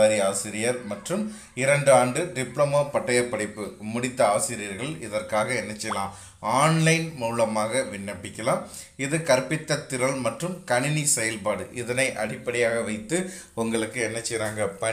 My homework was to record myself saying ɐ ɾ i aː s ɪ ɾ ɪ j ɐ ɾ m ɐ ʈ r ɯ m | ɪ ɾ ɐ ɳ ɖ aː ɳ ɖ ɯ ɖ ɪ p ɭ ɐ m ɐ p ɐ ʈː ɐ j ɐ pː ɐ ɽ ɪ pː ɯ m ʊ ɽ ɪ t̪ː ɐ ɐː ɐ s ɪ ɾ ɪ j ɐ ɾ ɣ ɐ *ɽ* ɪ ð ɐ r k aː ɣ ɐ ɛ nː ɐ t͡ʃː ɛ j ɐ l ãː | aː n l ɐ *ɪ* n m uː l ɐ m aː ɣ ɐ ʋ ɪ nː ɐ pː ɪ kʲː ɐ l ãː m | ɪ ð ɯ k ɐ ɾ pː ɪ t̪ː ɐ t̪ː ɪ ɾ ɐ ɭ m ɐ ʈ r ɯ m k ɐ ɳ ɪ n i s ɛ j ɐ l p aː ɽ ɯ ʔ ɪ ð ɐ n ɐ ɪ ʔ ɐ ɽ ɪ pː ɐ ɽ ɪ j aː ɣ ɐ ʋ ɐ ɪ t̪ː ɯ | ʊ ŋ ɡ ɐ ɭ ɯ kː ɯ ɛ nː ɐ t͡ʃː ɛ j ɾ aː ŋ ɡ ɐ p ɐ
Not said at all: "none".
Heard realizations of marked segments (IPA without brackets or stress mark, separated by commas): ɭ, ɪ